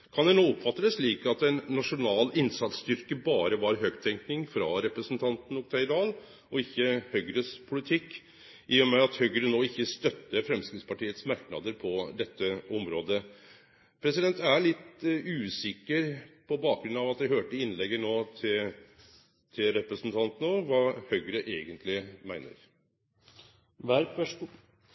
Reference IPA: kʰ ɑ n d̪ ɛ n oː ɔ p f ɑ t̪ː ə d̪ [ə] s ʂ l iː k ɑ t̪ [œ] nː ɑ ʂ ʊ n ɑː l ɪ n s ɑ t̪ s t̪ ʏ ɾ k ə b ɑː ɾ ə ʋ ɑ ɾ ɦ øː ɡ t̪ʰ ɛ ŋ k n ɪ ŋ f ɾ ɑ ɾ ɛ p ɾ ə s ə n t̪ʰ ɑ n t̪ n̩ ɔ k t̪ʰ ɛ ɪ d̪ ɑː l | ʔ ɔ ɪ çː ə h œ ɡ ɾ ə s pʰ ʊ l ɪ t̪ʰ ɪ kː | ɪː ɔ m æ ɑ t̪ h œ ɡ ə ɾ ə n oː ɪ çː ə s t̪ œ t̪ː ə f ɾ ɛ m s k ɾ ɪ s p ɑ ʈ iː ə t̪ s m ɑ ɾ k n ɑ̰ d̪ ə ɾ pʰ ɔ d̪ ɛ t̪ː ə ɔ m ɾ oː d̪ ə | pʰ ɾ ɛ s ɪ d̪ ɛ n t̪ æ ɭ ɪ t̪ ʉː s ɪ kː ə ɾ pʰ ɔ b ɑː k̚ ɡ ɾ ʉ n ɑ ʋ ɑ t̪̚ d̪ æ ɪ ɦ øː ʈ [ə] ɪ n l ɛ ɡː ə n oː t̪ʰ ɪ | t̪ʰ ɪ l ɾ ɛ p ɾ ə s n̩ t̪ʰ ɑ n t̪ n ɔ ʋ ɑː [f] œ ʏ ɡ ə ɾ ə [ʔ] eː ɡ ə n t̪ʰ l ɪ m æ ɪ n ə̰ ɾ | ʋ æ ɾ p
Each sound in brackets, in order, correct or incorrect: correct, incorrect: ɛ, correct, incorrect: h, correct

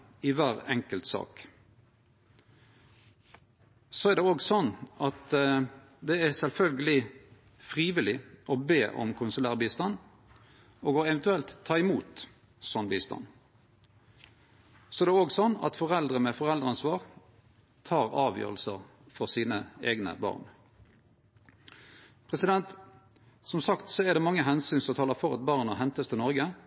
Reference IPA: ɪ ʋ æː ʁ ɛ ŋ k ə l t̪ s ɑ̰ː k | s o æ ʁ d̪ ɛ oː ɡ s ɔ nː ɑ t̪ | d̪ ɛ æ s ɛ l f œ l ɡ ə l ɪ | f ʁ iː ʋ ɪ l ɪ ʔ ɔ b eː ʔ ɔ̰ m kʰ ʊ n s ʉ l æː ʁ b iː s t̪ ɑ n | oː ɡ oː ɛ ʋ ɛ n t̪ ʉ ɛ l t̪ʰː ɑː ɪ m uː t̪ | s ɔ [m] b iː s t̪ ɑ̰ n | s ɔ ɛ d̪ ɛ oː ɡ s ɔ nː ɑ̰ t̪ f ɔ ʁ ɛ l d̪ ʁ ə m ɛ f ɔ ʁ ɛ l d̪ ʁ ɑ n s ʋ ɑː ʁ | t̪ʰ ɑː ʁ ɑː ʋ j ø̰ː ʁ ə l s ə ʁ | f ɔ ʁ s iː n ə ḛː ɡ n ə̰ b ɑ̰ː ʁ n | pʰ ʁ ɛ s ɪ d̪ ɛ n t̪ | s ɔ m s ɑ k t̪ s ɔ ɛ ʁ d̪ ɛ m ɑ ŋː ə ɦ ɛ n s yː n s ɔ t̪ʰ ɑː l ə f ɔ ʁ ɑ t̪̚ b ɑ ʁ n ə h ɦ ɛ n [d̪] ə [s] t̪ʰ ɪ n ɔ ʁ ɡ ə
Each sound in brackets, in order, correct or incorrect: incorrect: n, incorrect: t̪, correct

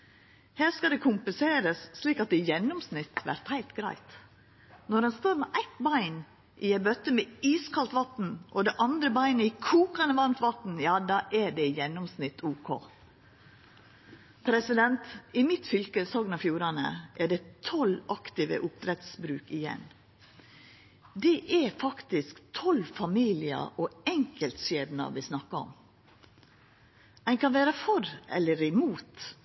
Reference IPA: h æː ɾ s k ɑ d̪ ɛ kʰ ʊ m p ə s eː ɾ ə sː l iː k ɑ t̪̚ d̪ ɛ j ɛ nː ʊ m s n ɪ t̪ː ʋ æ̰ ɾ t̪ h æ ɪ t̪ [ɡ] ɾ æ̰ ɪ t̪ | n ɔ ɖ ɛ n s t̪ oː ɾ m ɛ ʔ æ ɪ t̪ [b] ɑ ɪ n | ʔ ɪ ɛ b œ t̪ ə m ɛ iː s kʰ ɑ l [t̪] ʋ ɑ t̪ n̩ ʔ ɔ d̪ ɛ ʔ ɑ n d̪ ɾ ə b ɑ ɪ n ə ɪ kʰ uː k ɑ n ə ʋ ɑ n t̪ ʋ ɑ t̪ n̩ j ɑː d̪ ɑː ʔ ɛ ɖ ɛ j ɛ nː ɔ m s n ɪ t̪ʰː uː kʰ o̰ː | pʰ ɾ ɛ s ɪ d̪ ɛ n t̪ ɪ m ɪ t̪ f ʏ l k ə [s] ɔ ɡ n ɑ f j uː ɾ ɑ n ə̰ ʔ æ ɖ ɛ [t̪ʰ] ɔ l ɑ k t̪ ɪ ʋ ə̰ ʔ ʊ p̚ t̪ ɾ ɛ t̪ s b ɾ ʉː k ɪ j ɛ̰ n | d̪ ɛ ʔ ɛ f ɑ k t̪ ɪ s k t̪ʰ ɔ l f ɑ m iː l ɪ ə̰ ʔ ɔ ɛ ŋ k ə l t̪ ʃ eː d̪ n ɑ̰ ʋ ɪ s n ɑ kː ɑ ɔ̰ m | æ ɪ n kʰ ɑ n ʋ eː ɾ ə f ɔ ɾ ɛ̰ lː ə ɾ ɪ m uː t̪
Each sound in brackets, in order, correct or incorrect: correct, correct, correct, correct, correct

